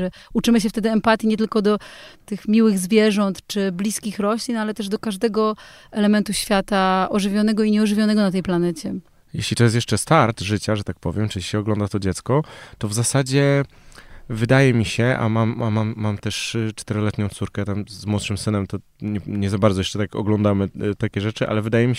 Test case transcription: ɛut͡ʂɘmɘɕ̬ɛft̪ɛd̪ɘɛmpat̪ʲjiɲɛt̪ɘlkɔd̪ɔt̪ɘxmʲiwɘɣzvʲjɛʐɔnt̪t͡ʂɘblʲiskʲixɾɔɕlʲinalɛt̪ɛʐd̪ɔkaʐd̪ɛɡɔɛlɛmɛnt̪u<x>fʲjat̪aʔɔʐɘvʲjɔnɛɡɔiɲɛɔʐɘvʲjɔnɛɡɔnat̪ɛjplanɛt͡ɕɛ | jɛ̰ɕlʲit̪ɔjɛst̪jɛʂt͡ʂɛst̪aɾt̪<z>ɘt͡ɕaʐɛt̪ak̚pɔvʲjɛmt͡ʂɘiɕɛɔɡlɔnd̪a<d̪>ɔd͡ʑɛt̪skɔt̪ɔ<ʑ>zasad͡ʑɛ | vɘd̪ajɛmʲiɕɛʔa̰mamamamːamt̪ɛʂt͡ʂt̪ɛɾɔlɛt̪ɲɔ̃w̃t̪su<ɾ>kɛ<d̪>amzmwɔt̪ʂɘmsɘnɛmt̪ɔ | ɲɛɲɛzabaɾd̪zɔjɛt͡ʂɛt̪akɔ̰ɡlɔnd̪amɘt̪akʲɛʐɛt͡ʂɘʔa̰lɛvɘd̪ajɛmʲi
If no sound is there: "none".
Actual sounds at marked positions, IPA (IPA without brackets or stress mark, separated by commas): ɕ, ʐ, t̪, v, ɾ, t̪